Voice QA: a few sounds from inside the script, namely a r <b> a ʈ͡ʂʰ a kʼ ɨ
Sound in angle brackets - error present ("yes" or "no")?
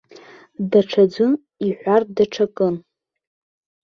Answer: yes